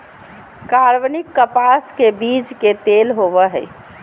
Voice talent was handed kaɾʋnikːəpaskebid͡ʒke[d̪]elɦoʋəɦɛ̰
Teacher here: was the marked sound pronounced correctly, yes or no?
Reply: no